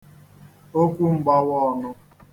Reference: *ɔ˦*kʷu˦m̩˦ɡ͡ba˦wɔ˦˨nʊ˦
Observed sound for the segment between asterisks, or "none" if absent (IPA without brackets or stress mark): o˦